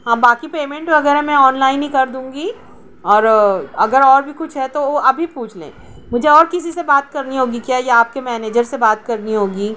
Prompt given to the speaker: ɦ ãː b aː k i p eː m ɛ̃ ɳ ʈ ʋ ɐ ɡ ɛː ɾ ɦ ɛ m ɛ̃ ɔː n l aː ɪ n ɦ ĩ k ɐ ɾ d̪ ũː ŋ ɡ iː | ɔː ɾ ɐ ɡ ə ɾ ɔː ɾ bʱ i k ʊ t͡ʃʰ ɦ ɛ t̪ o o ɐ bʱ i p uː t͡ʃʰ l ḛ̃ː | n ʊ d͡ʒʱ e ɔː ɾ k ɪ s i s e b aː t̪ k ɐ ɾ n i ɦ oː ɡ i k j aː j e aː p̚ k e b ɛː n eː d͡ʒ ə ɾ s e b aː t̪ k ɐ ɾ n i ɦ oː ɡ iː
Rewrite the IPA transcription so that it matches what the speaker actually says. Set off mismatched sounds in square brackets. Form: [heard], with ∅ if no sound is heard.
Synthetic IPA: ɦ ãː b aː k i p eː m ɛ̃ ɳ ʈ ʋ ɐ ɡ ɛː ɾ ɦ ɛ m ɛ̃ ɔː n l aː ɪ n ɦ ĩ k ɐ ɾ d̪ ũː ŋ ɡ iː | ɔː ɾ ɐ ɡ ə ɾ ɔː ɾ bʱ i k ʊ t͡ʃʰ ɦ ɛ t̪ o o ɐ bʱ i p uː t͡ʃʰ l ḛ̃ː | [m] ʊ d͡ʒʱ e ɔː ɾ k ɪ s i s e b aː t̪ k ɐ ɾ n i ɦ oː ɡ i k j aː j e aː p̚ k e [m] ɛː n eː d͡ʒ ə ɾ s e b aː t̪ k ɐ ɾ n i ɦ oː ɡ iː